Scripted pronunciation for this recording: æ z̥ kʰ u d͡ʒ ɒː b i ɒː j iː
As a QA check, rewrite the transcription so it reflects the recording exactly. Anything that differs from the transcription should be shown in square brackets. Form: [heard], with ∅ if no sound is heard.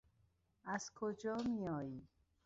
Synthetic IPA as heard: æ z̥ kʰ [o] d͡ʒ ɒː [m] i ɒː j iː